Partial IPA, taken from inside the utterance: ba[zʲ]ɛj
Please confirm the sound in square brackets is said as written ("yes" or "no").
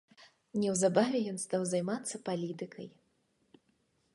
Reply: no